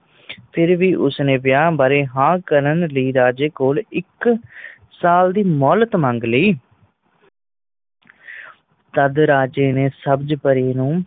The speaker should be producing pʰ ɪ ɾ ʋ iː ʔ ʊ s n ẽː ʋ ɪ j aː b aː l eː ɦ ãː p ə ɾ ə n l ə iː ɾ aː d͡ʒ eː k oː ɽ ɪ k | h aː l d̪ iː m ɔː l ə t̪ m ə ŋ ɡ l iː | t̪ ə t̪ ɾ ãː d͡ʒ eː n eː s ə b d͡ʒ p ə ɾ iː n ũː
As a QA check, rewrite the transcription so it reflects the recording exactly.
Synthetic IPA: pʰ ɪ ɾ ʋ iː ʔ ʊ s n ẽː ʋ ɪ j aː b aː ɾ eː ɦ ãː k ə ɾ ə n l ə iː ɾ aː d͡ʒ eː k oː l ɪ k | s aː l d̪ iː m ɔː l ə t̪ m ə ŋ ɡ l iː | t̪ ə d̪ ɾ aː d͡ʒ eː n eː s ə b d͡ʒ p ə ɾ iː n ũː